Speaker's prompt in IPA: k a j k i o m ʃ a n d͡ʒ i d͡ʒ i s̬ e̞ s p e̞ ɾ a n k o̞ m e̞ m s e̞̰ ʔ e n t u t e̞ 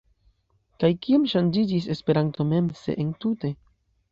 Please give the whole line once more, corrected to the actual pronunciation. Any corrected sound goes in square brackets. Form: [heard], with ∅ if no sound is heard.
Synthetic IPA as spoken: k a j k i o m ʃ a n d͡ʒ i d͡ʒ i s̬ e̞ s p e̞ ɾ a n [t] o̞ m e̞ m s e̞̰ ʔ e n t u t e̞